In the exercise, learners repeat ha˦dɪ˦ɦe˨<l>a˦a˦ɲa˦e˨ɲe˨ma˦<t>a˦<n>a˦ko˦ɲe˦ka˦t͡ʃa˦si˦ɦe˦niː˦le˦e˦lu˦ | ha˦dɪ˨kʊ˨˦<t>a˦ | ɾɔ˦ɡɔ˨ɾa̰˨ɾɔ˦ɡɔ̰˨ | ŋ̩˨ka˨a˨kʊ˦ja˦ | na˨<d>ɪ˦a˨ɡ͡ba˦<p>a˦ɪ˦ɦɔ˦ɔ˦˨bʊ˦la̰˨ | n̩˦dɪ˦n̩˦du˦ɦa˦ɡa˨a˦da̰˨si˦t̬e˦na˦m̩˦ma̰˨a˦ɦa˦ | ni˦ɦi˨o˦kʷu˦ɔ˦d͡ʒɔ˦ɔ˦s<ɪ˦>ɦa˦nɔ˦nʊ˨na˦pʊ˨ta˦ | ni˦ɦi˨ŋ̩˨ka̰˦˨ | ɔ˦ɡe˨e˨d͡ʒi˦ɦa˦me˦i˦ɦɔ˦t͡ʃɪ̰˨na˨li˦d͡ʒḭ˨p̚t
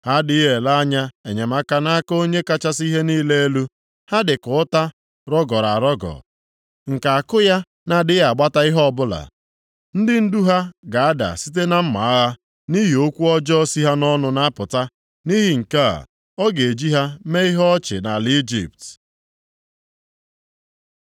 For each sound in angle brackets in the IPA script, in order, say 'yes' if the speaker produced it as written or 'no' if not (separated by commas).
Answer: yes, no, yes, yes, yes, no, no